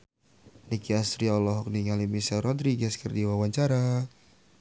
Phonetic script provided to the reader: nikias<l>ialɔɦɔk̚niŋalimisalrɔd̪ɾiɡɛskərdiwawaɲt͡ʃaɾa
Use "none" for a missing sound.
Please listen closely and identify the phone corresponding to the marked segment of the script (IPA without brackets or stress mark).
ɾ